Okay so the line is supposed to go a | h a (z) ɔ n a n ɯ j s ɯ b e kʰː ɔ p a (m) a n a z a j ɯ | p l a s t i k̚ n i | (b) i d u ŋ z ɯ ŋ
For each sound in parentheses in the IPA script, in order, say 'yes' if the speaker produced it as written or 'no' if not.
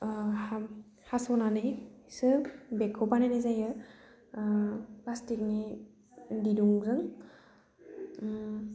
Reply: no, no, no

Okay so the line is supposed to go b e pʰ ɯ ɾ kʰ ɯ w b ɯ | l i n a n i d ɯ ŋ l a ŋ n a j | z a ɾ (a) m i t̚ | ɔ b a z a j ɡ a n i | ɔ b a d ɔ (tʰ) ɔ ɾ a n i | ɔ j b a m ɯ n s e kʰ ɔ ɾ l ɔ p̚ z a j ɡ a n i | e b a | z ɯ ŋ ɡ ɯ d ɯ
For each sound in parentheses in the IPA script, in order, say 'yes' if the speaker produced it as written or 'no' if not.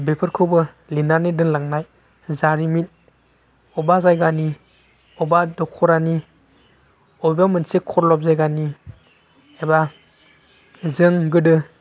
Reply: no, no

